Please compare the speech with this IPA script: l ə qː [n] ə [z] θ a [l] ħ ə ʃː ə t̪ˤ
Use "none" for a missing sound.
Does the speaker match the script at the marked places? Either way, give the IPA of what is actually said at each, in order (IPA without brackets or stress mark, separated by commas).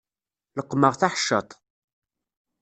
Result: m, ʁ, none